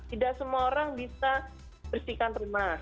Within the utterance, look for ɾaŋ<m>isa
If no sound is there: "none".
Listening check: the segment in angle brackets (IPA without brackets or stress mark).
b